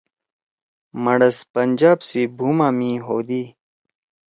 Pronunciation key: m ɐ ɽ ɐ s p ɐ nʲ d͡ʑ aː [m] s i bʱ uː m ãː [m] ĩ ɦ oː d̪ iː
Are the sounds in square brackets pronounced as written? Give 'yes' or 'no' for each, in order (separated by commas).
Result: no, yes